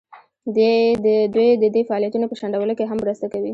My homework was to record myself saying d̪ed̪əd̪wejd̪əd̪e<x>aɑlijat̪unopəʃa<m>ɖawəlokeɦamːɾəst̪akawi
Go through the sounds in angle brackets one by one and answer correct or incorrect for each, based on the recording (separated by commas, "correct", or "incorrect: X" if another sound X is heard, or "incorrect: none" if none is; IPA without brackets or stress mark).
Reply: incorrect: f, incorrect: ɳ